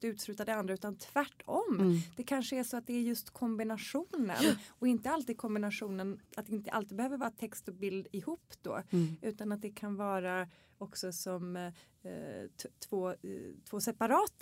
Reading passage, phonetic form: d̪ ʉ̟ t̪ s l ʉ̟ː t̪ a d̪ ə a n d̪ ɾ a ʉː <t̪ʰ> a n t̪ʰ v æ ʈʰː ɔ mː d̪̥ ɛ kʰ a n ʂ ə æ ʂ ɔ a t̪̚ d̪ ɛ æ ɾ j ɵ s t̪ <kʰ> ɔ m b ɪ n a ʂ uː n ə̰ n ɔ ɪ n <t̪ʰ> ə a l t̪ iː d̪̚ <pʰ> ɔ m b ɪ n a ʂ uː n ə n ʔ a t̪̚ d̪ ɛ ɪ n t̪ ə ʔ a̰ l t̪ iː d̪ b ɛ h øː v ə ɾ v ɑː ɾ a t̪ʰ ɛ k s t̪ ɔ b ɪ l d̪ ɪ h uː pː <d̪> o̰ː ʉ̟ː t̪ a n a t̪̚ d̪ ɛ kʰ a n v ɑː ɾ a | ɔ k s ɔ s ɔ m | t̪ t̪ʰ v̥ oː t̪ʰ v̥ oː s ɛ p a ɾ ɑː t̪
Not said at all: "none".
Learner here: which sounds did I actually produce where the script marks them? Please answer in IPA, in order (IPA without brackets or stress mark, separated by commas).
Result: t̪, kʰ, t̪, kʰ, d̪